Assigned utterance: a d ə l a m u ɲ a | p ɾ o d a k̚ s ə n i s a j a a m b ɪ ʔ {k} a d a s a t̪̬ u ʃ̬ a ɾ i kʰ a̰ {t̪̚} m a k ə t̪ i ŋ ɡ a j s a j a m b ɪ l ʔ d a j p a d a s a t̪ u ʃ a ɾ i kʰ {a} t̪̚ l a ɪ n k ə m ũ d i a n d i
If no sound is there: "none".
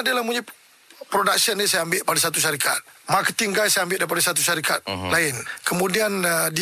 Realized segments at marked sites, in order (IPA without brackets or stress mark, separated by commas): p, t̪̚, a